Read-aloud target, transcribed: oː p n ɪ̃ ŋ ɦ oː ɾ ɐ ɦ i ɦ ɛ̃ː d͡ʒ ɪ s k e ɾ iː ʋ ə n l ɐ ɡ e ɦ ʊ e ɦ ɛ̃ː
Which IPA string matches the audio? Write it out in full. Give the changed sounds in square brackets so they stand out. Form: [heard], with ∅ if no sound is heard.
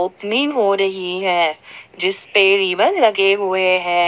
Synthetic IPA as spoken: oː p n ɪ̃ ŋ ɦ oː ɾ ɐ ɦ i ɦ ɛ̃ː d͡ʒ ɪ s [p] e ɾ iː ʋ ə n l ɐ ɡ e ɦ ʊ e ɦ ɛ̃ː